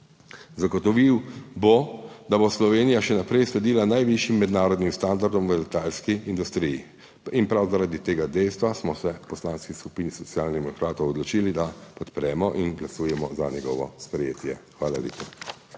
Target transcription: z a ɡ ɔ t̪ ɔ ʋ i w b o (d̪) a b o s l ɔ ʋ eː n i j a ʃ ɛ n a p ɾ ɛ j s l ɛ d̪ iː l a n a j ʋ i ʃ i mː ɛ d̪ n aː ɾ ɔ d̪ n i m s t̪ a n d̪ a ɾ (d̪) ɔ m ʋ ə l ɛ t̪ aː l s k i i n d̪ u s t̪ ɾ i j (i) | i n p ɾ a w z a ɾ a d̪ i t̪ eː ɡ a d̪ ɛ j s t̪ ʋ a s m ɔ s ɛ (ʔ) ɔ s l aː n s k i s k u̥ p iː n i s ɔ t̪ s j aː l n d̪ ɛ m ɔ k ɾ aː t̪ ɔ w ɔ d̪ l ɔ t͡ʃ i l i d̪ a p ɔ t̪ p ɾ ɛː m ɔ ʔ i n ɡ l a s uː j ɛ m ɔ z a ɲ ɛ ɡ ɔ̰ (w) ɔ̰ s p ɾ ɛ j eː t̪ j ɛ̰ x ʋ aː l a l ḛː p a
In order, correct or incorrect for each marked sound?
correct, correct, correct, incorrect: p, incorrect: ʋ

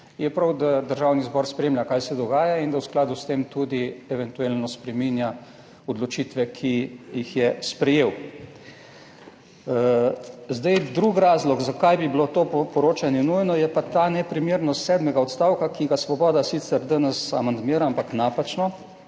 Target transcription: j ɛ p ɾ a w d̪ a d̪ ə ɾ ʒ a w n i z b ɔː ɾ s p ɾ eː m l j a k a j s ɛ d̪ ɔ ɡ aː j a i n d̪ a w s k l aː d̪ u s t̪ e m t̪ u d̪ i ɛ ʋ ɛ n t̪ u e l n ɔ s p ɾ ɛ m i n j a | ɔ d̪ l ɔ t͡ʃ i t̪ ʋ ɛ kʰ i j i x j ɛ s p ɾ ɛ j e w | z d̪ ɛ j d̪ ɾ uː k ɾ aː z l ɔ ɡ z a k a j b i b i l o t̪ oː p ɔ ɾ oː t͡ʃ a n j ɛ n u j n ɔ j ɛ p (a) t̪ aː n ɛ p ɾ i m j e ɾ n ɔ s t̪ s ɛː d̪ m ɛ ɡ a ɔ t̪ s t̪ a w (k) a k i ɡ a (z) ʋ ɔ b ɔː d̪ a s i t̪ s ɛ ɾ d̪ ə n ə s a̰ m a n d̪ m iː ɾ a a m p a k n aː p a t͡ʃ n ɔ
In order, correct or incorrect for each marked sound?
correct, correct, incorrect: s

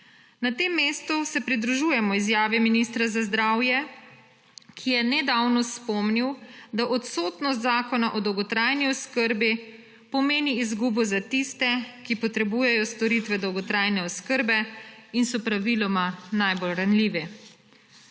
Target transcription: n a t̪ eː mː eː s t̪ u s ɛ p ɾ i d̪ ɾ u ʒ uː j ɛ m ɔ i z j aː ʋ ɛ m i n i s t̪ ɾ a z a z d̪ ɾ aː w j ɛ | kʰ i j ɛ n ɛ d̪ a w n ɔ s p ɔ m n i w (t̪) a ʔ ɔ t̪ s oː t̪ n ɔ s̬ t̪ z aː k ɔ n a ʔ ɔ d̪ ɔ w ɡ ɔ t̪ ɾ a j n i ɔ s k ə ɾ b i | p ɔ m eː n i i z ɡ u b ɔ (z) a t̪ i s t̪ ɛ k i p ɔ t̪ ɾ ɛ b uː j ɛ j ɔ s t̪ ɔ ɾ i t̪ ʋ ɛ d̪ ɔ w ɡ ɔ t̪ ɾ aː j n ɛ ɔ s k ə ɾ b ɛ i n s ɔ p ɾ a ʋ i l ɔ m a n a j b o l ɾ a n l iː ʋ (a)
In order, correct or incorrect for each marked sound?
incorrect: d̪, correct, incorrect: ɛ

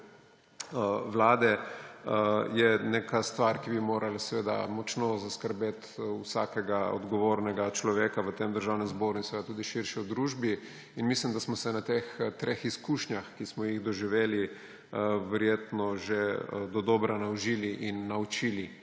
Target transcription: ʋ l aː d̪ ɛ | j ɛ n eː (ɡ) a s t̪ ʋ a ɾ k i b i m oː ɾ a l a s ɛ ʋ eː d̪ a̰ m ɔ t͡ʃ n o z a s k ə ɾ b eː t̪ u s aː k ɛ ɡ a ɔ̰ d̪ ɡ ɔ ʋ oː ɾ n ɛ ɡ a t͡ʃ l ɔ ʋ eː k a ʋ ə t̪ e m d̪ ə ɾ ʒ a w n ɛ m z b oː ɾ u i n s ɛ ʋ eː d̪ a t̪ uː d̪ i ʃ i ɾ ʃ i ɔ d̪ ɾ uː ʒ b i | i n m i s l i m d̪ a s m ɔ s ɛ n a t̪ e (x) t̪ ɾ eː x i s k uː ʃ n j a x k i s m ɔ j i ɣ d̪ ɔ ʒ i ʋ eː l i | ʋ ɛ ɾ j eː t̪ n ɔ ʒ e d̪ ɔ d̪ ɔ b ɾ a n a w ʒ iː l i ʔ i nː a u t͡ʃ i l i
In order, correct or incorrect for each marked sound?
incorrect: k, correct

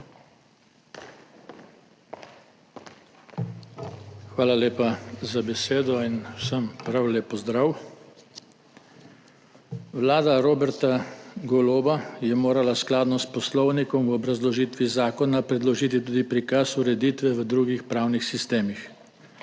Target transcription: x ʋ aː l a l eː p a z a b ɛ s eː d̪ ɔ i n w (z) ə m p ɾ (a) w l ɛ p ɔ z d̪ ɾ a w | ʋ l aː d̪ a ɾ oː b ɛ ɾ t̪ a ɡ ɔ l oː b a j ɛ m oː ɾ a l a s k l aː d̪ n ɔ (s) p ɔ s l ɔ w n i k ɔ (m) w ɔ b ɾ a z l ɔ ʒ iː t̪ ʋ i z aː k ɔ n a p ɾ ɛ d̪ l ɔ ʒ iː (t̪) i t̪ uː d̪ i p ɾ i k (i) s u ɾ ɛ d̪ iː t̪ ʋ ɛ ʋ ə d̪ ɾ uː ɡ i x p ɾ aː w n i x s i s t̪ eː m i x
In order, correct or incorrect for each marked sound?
incorrect: s, correct, correct, correct, correct, incorrect: a

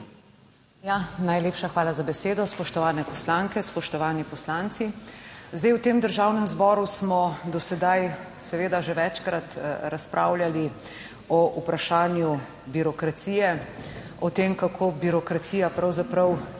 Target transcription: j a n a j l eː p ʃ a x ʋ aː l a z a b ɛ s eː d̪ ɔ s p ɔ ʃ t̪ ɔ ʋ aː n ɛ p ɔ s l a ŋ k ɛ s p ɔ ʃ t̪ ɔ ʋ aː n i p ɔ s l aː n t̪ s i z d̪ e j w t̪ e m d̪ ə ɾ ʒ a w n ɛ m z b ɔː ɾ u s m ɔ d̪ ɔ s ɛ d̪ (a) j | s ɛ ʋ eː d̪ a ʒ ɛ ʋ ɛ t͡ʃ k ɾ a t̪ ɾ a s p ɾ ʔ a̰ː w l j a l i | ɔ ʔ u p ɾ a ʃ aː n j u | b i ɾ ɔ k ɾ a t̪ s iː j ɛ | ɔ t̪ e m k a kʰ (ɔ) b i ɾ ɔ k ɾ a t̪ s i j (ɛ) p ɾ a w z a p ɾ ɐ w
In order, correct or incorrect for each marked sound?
correct, incorrect: o, incorrect: a

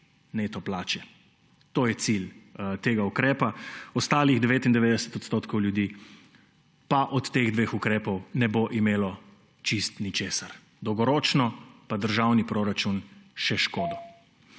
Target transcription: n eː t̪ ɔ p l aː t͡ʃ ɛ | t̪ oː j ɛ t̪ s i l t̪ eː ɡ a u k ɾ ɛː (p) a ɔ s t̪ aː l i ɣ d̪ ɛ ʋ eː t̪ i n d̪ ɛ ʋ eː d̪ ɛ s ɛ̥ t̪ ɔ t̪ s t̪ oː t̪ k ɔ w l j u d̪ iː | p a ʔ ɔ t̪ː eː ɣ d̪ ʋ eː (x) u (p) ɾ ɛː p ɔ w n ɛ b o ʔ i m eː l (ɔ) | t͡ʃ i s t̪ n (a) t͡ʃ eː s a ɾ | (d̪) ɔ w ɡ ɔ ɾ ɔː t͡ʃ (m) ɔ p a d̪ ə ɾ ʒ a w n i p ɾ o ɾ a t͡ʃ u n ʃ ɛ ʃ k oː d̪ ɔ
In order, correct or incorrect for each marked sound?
correct, correct, incorrect: k, correct, incorrect: i, correct, incorrect: n

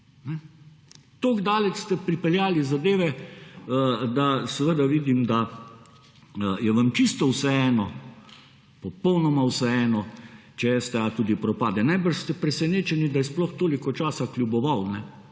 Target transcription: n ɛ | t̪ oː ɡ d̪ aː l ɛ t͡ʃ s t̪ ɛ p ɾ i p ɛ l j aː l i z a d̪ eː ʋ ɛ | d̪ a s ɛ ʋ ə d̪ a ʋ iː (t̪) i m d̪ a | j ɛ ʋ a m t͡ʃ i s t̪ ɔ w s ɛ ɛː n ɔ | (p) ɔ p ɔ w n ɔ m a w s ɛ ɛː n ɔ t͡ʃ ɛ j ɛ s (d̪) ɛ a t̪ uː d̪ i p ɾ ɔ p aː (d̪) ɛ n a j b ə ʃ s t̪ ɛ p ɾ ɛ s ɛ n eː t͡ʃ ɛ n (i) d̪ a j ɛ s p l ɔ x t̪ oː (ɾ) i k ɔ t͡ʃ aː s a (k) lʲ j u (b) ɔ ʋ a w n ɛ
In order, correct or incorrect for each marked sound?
incorrect: d̪, correct, incorrect: t̪, correct, correct, incorrect: l, correct, correct

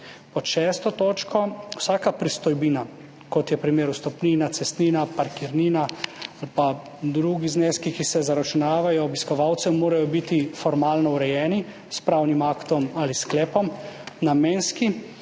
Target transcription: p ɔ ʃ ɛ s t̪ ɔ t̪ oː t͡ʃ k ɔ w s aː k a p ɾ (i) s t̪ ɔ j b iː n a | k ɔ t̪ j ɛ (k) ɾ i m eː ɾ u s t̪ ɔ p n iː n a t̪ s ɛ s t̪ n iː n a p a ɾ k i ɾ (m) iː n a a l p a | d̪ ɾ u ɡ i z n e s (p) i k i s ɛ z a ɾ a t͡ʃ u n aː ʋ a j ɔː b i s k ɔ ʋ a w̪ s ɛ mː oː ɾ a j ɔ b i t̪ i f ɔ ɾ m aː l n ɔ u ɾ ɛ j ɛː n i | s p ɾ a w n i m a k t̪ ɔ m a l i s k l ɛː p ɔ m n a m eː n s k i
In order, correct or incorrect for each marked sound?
correct, incorrect: p, incorrect: n, incorrect: k

